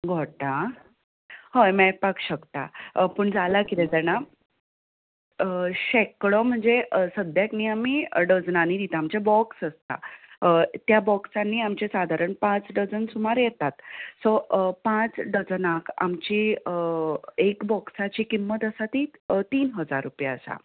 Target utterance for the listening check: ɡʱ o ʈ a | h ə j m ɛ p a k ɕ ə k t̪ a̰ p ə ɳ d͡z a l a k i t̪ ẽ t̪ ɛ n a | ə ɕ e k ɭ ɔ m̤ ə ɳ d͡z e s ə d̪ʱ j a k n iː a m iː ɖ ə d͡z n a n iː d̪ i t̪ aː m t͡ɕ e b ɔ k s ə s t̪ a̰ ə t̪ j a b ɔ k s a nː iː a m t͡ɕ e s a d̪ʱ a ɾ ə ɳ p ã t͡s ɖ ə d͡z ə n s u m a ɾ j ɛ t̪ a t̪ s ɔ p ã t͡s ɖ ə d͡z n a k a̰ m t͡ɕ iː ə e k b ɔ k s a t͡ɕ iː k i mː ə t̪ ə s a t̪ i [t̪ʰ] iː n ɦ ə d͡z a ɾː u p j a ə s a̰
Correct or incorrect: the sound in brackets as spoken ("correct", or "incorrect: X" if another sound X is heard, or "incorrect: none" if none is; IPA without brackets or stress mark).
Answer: incorrect: t̪